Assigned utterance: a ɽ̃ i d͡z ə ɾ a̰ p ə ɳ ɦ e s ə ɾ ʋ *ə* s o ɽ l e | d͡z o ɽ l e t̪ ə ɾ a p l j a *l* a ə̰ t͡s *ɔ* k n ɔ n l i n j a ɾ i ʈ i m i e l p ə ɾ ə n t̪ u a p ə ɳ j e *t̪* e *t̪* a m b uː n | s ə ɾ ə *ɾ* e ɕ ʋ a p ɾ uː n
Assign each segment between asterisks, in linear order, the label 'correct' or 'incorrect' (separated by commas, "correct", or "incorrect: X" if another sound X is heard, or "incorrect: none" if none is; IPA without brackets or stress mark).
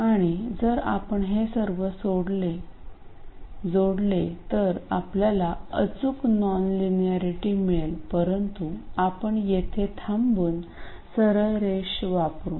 correct, correct, incorrect: u, incorrect: t̪ʰ, incorrect: t̪ʰ, correct